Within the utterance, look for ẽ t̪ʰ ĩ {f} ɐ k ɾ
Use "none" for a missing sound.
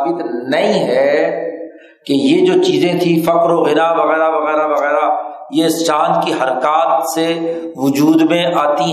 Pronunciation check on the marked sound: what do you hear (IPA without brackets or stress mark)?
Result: f